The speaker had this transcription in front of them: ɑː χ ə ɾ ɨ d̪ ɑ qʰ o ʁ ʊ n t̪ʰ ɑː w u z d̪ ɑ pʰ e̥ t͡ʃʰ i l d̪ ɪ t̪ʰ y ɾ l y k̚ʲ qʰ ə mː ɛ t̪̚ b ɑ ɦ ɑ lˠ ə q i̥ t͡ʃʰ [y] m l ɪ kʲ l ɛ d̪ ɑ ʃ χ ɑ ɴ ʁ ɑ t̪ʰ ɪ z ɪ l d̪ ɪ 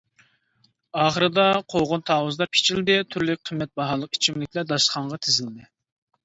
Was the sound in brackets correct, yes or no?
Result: no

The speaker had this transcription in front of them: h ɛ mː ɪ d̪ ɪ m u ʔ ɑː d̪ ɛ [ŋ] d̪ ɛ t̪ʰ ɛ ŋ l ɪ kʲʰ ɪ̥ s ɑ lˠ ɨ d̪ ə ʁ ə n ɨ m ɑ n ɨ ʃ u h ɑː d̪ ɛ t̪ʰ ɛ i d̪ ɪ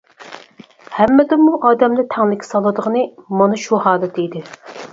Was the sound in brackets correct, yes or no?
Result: no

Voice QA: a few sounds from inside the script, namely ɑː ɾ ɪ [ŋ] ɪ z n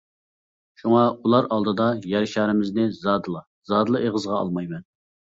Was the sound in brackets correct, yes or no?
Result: no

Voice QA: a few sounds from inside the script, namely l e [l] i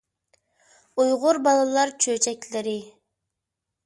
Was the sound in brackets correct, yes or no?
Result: no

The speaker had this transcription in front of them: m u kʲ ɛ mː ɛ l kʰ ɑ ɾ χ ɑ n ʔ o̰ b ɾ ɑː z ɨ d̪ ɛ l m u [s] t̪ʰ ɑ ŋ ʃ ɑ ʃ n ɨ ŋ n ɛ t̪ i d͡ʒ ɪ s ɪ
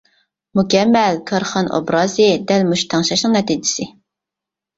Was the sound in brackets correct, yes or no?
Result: no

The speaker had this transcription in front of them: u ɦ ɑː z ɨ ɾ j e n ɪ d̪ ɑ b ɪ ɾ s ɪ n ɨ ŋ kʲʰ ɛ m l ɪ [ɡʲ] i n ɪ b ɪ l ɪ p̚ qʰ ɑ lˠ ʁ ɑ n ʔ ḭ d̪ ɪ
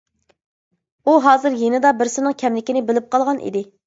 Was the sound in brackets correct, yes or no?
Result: no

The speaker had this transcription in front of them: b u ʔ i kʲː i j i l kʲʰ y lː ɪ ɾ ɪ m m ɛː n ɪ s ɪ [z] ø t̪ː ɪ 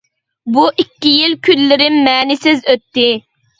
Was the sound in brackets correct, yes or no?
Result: yes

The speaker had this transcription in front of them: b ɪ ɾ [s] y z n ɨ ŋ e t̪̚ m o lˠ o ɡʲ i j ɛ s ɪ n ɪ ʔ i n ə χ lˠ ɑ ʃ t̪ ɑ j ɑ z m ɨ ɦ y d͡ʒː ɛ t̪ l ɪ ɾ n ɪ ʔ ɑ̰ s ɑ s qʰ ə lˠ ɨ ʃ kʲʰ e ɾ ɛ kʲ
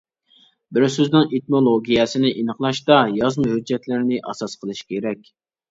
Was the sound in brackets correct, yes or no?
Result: yes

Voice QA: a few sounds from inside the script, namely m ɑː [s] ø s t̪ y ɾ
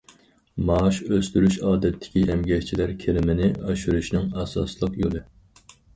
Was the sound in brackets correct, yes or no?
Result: no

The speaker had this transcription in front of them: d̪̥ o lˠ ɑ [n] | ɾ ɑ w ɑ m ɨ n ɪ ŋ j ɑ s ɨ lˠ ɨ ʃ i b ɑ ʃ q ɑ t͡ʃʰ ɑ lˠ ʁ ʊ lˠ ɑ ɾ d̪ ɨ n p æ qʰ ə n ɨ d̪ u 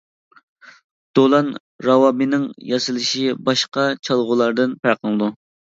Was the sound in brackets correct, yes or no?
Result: yes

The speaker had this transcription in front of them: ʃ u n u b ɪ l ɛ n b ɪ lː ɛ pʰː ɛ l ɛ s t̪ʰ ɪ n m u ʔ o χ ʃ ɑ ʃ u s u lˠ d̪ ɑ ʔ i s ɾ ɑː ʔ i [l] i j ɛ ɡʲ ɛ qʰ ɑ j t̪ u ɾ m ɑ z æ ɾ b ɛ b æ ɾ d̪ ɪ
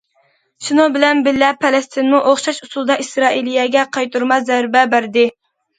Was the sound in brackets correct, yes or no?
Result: yes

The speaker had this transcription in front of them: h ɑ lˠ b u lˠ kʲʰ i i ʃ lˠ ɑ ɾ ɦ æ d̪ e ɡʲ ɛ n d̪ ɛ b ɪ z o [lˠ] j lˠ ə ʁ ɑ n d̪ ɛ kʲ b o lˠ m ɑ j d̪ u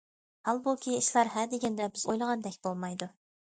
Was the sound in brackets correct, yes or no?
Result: no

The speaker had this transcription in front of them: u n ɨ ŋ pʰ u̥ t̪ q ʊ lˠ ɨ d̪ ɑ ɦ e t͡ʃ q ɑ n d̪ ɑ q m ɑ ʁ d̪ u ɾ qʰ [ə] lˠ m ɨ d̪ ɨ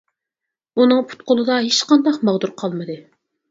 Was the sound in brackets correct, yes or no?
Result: no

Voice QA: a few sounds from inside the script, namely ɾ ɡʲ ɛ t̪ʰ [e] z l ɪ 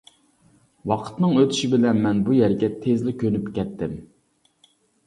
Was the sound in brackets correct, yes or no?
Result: yes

